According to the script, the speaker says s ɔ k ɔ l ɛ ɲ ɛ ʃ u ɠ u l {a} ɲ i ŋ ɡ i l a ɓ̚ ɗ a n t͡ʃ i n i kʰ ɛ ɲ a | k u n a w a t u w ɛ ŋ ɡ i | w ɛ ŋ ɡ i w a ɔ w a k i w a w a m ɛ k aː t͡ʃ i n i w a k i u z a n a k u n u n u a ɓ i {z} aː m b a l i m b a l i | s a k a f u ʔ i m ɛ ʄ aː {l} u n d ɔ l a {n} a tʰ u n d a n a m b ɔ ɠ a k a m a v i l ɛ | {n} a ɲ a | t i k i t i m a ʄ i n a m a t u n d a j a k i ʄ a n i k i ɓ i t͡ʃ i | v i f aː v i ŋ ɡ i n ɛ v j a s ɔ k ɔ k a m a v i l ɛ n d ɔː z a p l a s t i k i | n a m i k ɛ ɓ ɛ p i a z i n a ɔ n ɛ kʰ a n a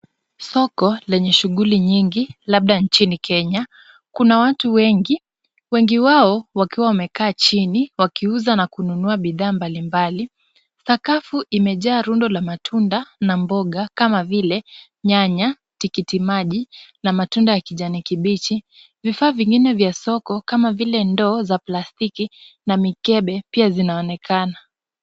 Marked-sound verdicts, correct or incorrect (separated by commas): incorrect, incorrect, incorrect, incorrect, incorrect